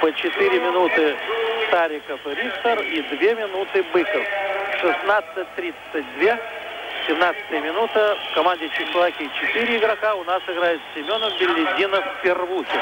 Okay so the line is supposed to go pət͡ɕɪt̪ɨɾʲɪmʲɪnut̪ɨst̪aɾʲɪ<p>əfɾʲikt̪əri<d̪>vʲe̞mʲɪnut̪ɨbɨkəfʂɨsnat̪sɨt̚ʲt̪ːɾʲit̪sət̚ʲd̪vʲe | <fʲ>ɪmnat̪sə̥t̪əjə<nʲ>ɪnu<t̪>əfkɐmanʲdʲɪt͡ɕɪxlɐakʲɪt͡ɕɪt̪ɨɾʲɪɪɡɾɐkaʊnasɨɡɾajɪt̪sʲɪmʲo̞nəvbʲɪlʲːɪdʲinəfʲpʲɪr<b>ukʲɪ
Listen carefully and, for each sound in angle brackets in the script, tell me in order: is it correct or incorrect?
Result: incorrect, correct, incorrect, incorrect, correct, incorrect

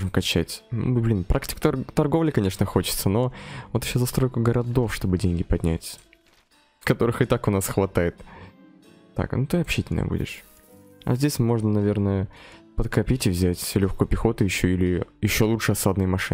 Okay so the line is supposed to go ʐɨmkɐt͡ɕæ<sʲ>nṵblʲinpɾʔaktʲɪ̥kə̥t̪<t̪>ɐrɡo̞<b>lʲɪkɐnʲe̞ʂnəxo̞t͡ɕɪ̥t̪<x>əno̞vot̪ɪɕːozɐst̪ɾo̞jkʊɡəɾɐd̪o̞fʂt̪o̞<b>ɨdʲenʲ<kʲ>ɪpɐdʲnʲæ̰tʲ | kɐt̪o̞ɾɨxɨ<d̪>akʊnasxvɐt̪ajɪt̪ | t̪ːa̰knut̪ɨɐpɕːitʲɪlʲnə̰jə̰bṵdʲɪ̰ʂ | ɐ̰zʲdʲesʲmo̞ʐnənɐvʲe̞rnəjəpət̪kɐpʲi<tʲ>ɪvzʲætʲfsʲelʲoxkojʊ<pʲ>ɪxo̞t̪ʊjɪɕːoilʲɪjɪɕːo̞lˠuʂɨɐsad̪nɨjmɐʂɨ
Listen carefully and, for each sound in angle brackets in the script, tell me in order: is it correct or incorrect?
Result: incorrect, correct, incorrect, incorrect, correct, incorrect, incorrect, correct, correct

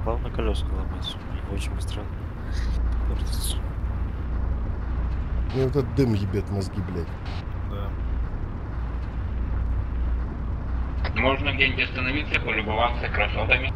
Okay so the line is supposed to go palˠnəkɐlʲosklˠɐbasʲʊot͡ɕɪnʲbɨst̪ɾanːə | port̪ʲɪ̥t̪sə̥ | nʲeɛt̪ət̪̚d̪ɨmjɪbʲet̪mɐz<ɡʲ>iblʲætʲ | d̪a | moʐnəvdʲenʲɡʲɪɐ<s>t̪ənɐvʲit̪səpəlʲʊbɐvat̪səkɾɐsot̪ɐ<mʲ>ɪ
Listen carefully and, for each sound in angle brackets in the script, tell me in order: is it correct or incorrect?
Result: correct, correct, correct

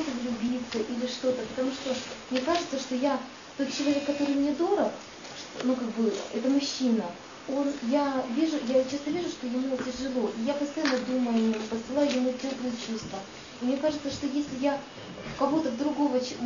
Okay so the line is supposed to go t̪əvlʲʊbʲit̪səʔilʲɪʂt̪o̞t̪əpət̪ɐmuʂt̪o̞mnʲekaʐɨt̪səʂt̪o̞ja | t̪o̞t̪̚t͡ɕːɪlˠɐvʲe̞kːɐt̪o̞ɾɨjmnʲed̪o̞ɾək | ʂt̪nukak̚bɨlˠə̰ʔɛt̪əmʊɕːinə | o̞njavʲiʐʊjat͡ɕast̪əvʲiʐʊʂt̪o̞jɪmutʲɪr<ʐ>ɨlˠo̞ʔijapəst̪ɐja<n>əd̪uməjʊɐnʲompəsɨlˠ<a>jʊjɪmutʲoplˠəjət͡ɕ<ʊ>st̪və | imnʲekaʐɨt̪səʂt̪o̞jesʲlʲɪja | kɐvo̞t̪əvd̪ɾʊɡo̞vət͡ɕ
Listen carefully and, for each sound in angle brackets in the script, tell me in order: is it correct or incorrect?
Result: correct, incorrect, correct, incorrect

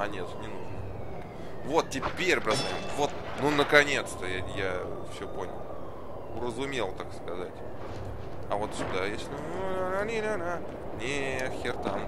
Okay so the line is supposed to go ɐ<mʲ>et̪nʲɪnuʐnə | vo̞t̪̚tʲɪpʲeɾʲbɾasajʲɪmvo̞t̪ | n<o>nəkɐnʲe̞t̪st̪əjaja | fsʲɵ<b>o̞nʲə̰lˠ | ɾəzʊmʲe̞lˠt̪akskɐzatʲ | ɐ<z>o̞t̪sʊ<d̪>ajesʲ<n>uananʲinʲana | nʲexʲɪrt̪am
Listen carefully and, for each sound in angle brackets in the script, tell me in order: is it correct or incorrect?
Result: incorrect, incorrect, incorrect, incorrect, correct, correct

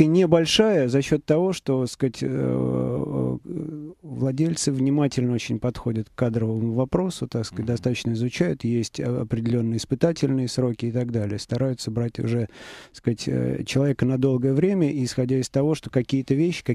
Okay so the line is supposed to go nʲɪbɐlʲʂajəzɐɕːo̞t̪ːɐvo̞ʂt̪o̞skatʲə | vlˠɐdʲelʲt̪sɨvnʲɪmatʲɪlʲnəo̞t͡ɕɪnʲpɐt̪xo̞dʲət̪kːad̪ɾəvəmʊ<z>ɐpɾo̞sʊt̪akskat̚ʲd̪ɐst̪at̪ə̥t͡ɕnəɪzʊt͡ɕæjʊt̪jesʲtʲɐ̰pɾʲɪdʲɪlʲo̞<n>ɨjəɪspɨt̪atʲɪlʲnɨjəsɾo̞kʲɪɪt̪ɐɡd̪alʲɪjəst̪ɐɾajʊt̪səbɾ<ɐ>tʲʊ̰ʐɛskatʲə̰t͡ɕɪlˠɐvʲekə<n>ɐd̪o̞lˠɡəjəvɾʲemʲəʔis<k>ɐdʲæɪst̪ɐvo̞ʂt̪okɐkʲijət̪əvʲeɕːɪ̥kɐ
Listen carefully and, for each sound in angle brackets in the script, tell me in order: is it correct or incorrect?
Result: incorrect, incorrect, incorrect, correct, incorrect

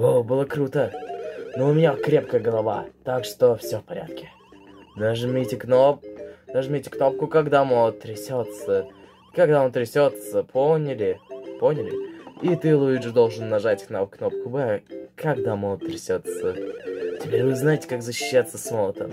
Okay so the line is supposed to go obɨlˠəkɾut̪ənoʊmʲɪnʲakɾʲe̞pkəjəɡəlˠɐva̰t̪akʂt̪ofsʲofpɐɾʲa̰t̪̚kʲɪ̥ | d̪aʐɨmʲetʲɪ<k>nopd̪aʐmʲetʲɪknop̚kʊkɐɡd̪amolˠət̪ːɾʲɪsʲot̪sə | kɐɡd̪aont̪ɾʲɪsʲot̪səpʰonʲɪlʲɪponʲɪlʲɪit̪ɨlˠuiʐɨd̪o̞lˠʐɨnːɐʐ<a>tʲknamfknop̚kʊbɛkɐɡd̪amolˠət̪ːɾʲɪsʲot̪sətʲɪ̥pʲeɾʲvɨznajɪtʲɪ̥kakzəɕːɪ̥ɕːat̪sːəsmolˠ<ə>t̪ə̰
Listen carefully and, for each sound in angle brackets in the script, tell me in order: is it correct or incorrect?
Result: correct, correct, correct

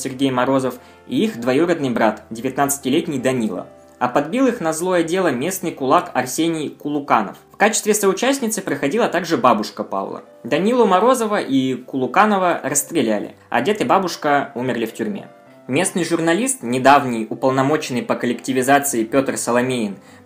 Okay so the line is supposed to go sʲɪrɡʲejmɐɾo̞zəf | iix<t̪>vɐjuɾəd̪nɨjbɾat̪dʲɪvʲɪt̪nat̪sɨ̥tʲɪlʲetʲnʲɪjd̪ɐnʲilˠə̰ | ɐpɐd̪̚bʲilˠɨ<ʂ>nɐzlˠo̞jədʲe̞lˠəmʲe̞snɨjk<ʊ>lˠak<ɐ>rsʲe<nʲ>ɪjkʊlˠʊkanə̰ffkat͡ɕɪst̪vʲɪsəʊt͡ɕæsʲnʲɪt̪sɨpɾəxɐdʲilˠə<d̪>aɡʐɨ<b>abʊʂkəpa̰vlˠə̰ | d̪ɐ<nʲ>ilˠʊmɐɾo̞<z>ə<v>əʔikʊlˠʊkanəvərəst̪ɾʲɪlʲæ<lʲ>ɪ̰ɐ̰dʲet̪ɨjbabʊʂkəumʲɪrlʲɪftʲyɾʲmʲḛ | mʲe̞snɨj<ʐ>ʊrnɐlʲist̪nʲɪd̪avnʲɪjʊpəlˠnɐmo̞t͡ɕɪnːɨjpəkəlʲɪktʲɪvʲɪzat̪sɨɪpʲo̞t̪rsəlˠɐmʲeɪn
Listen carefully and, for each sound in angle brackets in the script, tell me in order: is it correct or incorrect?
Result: incorrect, incorrect, correct, correct, correct, incorrect, correct, correct, correct, correct, correct, correct

